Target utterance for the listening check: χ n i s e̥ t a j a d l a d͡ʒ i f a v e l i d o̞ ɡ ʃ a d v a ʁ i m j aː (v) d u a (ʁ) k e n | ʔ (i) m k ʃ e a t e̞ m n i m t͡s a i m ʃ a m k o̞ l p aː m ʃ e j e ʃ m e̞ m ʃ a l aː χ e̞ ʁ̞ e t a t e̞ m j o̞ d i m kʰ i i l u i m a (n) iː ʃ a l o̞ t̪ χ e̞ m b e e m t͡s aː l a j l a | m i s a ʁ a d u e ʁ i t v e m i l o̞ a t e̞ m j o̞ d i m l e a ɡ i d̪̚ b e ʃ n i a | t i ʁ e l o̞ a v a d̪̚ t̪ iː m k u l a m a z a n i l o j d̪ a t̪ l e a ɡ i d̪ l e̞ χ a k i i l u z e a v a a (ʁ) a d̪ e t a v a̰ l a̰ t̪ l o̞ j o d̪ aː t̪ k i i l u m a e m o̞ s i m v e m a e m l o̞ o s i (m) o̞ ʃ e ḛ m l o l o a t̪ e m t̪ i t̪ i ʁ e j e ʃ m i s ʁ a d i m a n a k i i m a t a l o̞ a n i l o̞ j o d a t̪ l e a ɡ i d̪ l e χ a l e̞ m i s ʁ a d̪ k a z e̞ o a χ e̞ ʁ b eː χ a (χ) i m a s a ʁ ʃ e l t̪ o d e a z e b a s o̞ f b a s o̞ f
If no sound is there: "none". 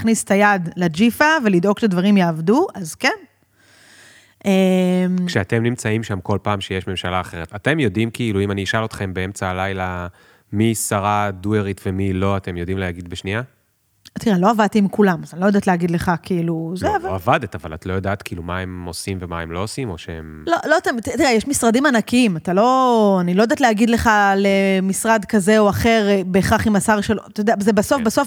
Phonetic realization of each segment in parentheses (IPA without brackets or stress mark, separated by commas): v, z, e, n, v, m, χ